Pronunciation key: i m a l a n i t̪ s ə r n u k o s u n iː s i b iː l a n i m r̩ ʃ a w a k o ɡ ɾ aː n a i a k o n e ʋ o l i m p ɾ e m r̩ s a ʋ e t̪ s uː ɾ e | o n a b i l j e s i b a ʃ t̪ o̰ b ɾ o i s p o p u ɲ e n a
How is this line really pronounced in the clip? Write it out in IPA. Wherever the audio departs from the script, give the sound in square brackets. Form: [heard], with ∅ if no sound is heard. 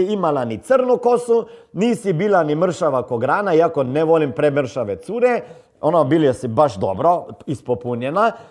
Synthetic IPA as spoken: i m a l a n i t̪ s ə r n u k o s u n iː s i b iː l a n i m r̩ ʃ a [ʋ] a k o ɡ ɾ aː n a i a k o n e ʋ o l i m p ɾ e m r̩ [ʃ] a ʋ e t̪ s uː ɾ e | o n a b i l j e s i b a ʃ [d̪] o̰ b ɾ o i s p o p u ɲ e n a